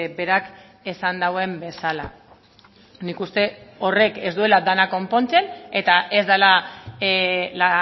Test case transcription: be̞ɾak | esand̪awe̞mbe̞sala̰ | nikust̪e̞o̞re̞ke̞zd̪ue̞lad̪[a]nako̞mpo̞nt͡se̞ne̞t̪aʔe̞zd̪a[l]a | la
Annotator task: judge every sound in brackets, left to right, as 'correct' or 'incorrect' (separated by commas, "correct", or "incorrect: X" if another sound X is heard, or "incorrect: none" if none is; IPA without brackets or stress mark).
correct, correct